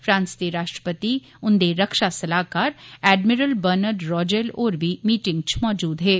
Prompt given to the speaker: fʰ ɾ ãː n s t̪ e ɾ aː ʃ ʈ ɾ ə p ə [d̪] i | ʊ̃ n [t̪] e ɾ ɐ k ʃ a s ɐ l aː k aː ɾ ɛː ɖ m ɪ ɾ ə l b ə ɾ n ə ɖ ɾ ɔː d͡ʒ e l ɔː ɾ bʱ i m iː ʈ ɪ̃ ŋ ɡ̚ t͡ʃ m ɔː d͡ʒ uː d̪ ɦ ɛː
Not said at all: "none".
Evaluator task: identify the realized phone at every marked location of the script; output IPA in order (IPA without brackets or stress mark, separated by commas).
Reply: t̪, d̪